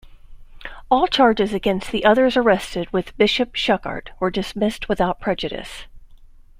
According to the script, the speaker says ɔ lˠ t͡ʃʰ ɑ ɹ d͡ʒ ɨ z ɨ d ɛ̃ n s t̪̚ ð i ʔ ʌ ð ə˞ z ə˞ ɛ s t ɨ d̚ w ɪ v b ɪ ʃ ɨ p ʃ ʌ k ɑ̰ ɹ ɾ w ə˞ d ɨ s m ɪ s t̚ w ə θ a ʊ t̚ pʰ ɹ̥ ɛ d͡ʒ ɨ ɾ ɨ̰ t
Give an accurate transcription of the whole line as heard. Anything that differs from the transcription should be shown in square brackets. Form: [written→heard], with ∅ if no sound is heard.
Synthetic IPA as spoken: ɔ lˠ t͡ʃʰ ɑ ɹ d͡ʒ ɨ z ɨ [d→ɡ] ɛ̃ n s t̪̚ ð i ʔ ʌ ð ə˞ z ə˞ ɛ s t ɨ d̚ w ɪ [v→ð] b ɪ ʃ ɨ p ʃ ʌ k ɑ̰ ɹ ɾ w ə˞ d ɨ s m ɪ s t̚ w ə θ a ʊ t̚ pʰ ɹ̥ ɛ d͡ʒ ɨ ɾ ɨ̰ [t→s]